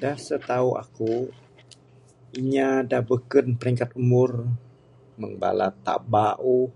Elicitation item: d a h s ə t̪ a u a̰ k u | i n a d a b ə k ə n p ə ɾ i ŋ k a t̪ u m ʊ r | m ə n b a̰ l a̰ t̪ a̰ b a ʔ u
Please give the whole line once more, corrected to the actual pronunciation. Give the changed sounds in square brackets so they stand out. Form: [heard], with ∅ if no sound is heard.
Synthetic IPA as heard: d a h s ə t̪ a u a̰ k u | i [ɲ] a d a b ə k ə n p ə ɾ i ŋ k a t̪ u m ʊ r | m ə [ŋ] b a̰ l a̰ t̪ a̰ b a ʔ u